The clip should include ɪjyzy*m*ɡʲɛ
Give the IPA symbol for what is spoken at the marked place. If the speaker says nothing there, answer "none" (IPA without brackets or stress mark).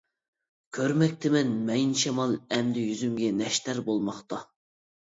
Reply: m